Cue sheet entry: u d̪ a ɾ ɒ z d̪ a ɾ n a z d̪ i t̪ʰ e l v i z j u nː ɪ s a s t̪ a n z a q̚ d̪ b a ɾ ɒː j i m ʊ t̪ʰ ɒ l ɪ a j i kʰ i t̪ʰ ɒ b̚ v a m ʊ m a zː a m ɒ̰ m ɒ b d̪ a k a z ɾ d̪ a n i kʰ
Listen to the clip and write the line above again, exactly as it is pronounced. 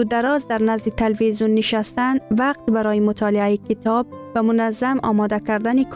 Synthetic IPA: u d̪ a ɾ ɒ z d̪ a ɾ n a z d̪ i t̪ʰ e l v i z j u nː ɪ ʃ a s t̪ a n v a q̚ t̪ b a ɾ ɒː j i m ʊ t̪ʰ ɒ l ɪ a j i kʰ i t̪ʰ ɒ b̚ v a m ʊ n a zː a m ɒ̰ m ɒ d̪ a k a ɾ d̪ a n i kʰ